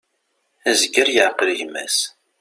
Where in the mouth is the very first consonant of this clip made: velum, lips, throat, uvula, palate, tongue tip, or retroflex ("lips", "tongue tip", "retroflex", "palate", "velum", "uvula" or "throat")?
tongue tip